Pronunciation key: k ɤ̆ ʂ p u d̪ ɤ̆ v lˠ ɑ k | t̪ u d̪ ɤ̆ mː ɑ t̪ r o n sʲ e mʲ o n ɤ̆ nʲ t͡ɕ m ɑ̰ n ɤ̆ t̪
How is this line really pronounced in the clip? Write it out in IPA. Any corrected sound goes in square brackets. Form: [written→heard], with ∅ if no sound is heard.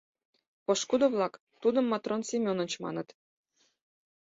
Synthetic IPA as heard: [k→p] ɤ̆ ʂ [p→k] u d̪ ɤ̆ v lˠ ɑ k | t̪ u d̪ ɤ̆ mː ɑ t̪ r o n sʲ e mʲ o n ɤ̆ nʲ t͡ɕ m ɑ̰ n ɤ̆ t̪